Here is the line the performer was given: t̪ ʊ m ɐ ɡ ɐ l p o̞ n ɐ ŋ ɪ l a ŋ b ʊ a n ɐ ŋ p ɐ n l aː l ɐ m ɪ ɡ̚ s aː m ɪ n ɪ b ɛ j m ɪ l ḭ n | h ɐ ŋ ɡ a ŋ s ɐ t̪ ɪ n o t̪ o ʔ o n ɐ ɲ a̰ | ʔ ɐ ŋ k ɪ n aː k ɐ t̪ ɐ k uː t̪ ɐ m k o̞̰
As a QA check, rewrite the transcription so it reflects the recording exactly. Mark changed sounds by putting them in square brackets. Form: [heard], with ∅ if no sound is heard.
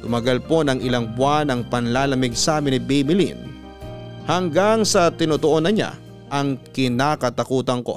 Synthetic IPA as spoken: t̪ ʊ m ɐ ɡ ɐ l p o̞ n ɐ ŋ ɪ l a ŋ b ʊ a n ɐ ŋ p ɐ n l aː l ɐ m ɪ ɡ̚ s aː m ɪ n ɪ b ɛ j m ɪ l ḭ n | h ɐ ŋ ɡ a ŋ s ɐ t̪ ɪ n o t̪ o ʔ o n ɐ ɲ a̰ | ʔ ɐ ŋ k ɪ n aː k ɐ t̪ ɐ k uː t̪ ɐ [ŋ] k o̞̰